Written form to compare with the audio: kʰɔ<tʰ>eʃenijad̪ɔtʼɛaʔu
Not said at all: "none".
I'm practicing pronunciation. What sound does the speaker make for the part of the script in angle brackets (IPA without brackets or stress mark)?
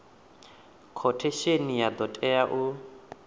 tʰ